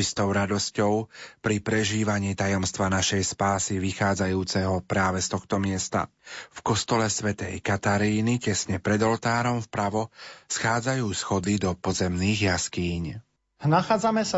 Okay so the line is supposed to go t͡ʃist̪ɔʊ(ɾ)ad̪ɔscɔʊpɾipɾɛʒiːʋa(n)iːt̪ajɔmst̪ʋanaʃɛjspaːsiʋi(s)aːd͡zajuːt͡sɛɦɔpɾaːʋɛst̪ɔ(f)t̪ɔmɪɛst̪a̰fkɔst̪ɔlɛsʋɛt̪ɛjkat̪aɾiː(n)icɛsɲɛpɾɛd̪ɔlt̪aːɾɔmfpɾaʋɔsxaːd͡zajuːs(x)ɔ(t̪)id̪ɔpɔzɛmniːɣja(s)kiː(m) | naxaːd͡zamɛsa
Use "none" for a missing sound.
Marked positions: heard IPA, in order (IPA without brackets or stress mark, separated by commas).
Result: ɾ, ɲ, x, x, n, x, d̪, s, ɲ